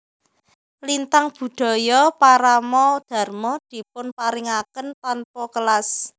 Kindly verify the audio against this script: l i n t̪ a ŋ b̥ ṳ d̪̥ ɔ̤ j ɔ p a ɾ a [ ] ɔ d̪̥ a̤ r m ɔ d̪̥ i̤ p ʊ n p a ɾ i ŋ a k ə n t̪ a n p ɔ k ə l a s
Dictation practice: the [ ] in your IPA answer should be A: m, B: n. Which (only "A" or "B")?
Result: A